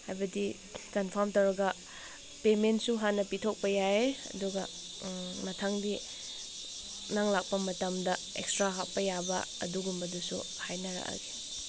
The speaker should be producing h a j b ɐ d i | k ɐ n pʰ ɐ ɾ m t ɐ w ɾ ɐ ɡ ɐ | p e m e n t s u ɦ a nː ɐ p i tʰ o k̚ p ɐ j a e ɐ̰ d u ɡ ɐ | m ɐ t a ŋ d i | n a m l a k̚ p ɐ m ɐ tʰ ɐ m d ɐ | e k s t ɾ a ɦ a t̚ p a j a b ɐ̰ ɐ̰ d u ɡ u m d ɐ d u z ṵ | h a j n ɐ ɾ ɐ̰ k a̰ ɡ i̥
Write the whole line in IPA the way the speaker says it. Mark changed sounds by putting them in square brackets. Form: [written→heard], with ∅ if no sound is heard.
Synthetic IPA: h a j b ɐ d i | k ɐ n pʰ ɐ ɾ m t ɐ w ɾ ɐ ɡ ɐ | p e m e n t s u ɦ a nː ɐ p i tʰ o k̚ p ɐ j a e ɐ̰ d u ɡ ɐ | m ɐ [t→tʰ] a ŋ d i | n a [m→ŋ] l a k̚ p ɐ m ɐ [tʰ→t] ɐ m d ɐ | e k s t ɾ a ɦ a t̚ p [a→ɐ] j a b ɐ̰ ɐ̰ d u ɡ u m [d→b] ɐ d u [z→s] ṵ | h a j n ɐ ɾ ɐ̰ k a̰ ɡ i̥